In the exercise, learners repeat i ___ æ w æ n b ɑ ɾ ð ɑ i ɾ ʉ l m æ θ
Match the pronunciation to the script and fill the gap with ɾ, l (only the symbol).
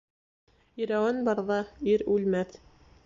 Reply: ɾ